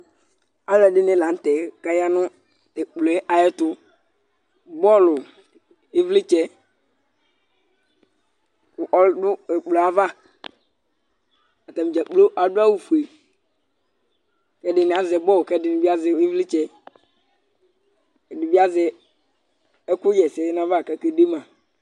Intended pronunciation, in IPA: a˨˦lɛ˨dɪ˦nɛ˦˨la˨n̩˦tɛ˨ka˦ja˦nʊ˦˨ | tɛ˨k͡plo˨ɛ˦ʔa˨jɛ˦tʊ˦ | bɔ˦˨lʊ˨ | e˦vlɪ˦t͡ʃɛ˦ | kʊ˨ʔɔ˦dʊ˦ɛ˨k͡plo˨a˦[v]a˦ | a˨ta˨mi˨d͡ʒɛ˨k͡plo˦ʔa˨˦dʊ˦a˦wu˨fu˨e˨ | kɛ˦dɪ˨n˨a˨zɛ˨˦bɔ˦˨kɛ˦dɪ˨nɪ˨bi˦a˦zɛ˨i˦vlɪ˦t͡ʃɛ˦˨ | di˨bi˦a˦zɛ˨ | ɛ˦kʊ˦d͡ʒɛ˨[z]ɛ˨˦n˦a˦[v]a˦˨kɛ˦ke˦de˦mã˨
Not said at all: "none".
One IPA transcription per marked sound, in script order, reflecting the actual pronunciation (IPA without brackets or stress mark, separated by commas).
v, s, v